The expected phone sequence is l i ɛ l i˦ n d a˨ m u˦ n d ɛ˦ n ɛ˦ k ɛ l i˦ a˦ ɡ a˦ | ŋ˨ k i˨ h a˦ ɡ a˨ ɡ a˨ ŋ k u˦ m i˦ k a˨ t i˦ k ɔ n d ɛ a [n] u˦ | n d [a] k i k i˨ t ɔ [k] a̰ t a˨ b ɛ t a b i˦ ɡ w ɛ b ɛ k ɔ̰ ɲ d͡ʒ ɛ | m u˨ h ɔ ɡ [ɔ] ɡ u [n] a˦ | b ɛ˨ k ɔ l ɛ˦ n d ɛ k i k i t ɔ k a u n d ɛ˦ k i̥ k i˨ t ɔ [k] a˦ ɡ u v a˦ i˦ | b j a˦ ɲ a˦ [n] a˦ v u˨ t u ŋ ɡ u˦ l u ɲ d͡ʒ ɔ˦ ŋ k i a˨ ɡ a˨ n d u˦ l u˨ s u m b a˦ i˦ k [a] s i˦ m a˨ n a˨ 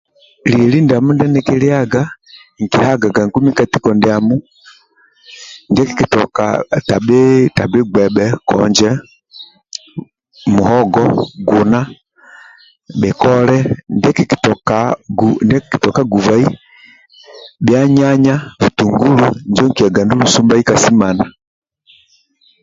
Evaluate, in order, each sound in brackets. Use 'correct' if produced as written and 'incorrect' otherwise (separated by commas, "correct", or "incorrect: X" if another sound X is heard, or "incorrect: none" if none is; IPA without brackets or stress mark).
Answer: incorrect: m, incorrect: ɛ, correct, correct, correct, correct, incorrect: ɲ, correct